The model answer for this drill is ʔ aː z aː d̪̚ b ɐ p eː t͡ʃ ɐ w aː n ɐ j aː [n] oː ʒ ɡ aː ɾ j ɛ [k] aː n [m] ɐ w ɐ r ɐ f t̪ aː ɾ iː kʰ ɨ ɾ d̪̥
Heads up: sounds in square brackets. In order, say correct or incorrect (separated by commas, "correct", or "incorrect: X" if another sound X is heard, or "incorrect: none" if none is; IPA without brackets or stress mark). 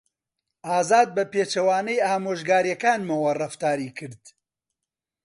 incorrect: m, correct, correct